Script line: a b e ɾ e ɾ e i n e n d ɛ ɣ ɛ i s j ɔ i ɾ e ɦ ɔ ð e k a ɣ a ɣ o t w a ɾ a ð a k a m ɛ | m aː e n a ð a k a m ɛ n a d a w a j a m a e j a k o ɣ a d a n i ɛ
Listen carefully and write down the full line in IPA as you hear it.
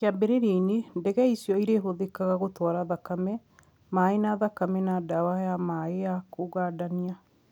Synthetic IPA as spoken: a b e ɾ e ɾ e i n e n d ɛ ɣ ɛ i s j ɔ i ɾ e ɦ o ð e k a ɣ a ɣ o t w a ɾ a ð a k a m ɛ | m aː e n a ð a k a m ɛ n a d a w a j a m a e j a k o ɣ a d a n i a